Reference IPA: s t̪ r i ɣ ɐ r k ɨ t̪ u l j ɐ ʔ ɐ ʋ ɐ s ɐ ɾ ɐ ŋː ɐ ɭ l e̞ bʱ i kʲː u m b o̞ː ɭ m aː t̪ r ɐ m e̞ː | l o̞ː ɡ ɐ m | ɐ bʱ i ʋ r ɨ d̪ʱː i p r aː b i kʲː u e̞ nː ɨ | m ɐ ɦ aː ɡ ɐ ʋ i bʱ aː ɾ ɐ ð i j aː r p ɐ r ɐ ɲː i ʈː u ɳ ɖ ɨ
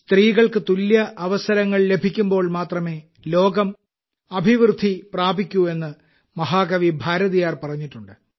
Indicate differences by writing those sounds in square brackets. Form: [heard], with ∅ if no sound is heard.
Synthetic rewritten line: s t̪ r [iː] ɣ ɐ [ɭ] k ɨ t̪ u l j ɐ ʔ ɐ ʋ ɐ s ɐ ɾ ɐ ŋː ɐ ɭ l e̞ bʱ i kʲː u m b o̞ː ɭ m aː t̪ r ɐ m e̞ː | l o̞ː ɡ ɐ m | ɐ bʱ i ʋ r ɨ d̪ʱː i p r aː b i kʲː u e̞ nː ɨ | m ɐ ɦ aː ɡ ɐ ʋ i bʱ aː ɾ ɐ ð i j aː r p ɐ r ɐ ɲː i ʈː u ɳ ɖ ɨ